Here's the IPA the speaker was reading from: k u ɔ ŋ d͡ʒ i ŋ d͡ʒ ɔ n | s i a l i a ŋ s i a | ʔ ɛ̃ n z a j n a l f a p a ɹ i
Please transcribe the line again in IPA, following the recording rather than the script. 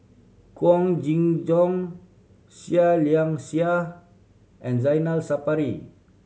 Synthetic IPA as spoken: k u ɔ ŋ d͡ʒ i ŋ d͡ʒ ɔ ŋ | s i a l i a ŋ s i a | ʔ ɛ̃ n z a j n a l s a p a ɾ i